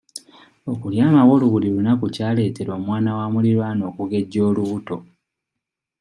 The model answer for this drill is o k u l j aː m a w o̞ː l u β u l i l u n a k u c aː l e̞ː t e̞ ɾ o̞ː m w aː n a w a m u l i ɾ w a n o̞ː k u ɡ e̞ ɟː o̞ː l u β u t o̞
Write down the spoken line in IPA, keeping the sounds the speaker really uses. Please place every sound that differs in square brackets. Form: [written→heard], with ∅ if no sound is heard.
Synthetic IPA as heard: o k u l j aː m a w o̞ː l u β u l i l u n a k u c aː l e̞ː t e̞ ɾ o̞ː m w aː n a w a m u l i ɾ w a n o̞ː k u ɡ e̞ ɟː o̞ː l u β u t o̞